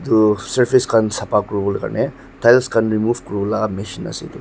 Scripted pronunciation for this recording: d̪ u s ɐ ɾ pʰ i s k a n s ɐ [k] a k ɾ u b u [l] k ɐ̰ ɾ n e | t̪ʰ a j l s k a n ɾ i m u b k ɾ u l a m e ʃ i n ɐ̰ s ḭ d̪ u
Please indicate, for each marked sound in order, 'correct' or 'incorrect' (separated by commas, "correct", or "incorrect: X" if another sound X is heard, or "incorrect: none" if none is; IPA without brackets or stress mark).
incorrect: p, correct